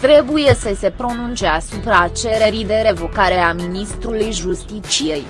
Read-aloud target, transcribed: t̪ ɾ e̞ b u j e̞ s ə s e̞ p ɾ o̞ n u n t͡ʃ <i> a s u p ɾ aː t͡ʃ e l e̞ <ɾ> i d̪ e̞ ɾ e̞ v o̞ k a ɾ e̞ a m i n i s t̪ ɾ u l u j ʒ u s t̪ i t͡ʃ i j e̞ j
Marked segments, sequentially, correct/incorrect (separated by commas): incorrect, correct